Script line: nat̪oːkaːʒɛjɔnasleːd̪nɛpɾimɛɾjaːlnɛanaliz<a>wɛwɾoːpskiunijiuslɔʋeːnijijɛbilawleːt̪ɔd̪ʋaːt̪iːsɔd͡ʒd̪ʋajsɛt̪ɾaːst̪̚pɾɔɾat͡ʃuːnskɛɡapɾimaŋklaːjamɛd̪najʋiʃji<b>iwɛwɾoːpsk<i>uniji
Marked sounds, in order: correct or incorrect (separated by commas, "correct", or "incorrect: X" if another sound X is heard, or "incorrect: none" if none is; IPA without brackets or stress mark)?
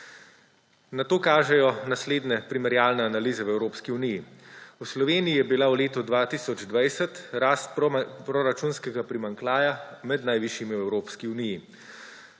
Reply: incorrect: ɛ, incorrect: m, correct